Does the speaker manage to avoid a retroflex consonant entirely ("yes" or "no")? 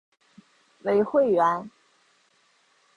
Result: yes